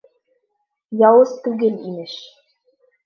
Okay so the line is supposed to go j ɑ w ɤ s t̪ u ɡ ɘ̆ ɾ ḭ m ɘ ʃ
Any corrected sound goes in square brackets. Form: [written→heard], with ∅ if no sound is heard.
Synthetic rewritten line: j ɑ w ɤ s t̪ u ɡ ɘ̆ [ɾ→l] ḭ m ɘ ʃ